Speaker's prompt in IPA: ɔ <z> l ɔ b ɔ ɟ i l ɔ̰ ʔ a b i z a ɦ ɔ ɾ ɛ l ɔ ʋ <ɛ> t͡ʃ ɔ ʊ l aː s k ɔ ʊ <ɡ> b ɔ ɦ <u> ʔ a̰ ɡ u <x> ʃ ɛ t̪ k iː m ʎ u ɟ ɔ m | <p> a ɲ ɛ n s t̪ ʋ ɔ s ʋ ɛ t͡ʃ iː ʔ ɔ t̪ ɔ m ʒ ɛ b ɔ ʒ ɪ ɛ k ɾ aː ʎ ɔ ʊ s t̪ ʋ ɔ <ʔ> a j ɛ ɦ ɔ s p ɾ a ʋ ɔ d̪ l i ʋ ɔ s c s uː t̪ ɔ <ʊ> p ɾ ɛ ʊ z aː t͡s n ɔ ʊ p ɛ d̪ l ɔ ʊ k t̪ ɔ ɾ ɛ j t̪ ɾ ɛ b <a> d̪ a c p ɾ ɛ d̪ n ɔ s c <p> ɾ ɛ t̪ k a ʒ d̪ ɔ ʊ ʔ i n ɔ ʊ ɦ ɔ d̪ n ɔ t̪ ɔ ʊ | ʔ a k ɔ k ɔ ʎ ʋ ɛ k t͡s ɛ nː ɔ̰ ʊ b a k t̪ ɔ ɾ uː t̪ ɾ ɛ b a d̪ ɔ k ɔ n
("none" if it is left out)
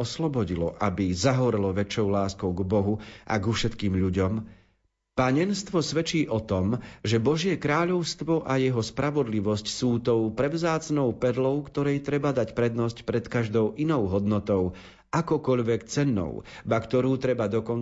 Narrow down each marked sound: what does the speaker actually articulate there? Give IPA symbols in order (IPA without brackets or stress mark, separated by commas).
s, ɛ, ɡ, u, f, p, ʔ, ʊ, a, p